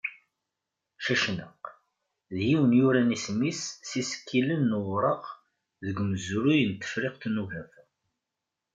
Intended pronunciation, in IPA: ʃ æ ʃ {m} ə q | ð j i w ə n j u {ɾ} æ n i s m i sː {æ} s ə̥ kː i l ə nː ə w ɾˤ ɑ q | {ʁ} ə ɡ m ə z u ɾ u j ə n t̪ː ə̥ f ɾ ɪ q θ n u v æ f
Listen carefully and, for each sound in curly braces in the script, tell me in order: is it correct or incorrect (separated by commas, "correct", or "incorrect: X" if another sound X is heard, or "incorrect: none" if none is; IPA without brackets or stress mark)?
incorrect: n, correct, incorrect: i, incorrect: ð